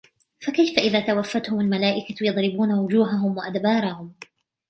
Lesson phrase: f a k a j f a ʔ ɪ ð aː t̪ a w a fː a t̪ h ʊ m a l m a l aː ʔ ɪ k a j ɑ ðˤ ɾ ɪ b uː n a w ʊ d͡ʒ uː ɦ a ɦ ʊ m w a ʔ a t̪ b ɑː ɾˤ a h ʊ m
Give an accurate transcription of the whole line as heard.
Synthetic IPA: f a k a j f a ʔ ɪ ð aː t̪ a w a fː a t̪ h ʊ m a l m a l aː ʔ ɪ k a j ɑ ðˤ ɾ ɪ b uː n a w ʊ d͡ʒ uː ɦ a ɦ ʊ m w a ʔ a d̪ b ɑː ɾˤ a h ʊ m